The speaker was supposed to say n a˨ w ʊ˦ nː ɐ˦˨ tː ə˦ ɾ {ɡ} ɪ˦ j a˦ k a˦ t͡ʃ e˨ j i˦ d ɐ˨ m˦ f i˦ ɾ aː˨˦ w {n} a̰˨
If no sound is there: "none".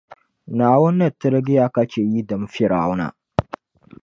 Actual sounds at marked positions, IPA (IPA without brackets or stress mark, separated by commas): ɡ, n